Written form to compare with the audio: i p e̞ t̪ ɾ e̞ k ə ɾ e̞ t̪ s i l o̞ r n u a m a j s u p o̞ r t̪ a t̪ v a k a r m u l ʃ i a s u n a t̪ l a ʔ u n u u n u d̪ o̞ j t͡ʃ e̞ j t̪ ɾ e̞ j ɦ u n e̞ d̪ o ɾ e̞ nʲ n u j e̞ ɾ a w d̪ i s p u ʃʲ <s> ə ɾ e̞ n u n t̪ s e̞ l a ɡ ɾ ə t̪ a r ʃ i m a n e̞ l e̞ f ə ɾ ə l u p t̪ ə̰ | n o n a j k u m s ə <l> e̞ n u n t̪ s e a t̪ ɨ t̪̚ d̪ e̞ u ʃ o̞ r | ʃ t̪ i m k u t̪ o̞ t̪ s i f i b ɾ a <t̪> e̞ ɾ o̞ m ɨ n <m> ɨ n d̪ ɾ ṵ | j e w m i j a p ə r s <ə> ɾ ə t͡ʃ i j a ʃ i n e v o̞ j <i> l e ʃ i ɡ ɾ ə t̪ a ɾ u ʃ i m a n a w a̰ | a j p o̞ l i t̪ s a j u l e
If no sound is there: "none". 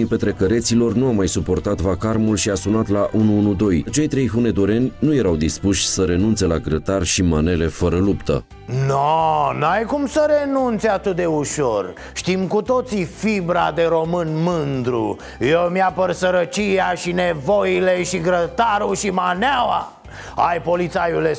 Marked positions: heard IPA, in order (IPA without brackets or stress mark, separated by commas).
s, ɾ, d̪, m, ə, i